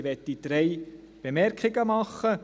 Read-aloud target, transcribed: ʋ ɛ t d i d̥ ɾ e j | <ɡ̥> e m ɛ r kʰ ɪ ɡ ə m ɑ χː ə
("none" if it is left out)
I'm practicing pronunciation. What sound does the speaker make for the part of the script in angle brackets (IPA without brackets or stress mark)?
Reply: b̥